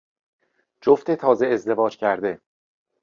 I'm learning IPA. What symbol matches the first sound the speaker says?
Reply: d͡ʒ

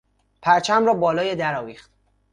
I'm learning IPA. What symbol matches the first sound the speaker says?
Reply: pʰ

